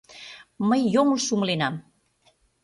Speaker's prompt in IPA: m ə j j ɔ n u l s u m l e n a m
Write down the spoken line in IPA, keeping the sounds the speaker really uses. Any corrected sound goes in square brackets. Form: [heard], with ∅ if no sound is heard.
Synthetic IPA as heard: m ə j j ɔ [m] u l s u m l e n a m